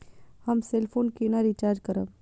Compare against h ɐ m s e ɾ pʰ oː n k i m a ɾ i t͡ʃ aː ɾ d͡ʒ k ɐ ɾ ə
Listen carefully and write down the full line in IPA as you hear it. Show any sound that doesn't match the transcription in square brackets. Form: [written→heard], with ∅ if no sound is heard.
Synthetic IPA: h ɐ m s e [ɾ→l] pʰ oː n k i [m→n] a ɾ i t͡ʃ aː ɾ d͡ʒ k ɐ ɾ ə